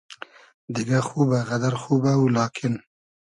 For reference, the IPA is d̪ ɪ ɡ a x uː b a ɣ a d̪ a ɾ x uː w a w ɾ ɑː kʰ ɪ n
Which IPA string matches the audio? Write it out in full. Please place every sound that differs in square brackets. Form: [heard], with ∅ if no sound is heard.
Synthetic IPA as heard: d̪ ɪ ɡ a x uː b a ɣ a d̪ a ɾ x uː [b] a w [l] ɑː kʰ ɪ n